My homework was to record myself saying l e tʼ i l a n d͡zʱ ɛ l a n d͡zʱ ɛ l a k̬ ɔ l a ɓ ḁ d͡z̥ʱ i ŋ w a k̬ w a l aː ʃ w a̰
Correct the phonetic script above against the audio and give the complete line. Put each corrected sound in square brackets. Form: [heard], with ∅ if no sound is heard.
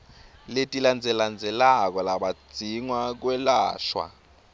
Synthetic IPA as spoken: l e tʼ i l a n d͡zʱ ɛ l a n d͡zʱ ɛ l a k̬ ɔ l a ɓ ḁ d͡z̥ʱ i ŋ w a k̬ w [ɛ] l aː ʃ w a̰